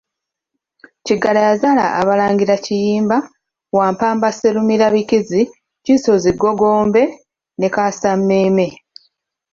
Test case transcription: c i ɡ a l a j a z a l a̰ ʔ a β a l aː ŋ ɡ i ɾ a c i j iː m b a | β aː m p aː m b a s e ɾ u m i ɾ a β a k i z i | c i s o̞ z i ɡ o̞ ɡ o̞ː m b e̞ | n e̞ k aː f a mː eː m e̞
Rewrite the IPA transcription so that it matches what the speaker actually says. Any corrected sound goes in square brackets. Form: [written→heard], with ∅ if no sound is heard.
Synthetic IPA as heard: c i ɡ a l a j a z a l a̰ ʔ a β a l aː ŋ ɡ i ɾ a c i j iː m b a | [β→w] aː m p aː m b a s e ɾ u m i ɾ a β [a→i] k i z i | c i s o̞ z i ɡ o̞ ɡ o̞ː m b e̞ | n e̞ k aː [f→s] a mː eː m e̞